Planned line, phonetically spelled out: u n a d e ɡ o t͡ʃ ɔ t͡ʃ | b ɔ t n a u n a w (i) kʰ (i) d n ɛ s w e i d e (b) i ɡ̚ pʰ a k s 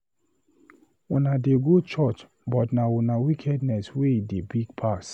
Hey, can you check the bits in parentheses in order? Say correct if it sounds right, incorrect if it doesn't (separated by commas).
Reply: correct, incorrect, correct